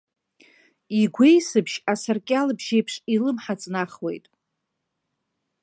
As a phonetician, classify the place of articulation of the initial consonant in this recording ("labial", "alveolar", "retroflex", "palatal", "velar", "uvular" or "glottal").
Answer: velar